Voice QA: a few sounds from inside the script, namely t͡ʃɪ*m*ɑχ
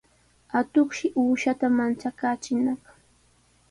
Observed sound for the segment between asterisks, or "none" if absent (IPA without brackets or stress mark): n